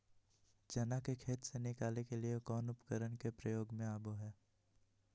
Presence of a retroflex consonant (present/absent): absent